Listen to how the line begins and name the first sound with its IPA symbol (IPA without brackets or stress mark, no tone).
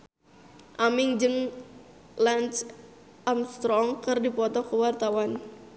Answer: ʔ